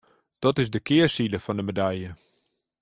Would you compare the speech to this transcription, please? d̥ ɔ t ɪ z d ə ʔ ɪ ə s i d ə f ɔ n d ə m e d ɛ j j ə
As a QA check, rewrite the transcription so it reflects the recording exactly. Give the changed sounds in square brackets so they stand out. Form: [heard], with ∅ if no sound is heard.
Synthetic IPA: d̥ ɔ t ɪ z d ə [k] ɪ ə s i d ə f ɔ n d ə m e d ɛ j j ə